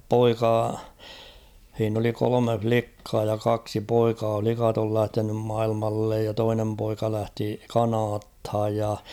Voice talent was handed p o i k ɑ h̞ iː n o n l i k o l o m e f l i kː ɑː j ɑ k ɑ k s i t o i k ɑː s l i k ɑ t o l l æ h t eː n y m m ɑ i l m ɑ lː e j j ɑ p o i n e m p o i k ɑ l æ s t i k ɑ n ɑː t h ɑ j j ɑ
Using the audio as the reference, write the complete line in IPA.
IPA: p o i k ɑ h̞ iː n o l i k o l o m e f l i kː ɑː j ɑ k ɑ k s i p o i k ɑː f l i k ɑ t o l l æ h t e n y m m ɑ i l m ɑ lː e j j ɑ t o i n e m p o i k ɑ l æ h t i k ɑ n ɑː t h ɑ j j ɑ